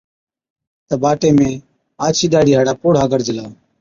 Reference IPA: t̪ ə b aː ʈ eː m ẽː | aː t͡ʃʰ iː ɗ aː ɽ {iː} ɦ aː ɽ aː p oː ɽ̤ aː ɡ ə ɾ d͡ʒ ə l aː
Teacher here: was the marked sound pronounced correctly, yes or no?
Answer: yes